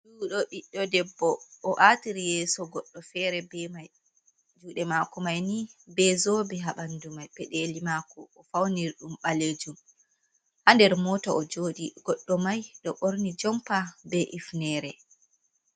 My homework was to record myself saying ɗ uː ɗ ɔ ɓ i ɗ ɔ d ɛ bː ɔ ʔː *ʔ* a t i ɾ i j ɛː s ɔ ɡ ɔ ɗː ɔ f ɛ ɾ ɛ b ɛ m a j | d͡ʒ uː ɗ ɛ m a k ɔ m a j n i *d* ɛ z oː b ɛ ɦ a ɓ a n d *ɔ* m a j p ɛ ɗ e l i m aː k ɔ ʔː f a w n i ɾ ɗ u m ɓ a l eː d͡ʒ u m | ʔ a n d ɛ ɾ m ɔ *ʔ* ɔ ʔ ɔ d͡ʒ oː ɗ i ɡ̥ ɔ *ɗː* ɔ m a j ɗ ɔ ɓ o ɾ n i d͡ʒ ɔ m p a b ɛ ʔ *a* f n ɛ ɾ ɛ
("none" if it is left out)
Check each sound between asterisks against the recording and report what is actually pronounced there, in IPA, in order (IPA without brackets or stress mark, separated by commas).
ʔ, b, u, t, ɗː, i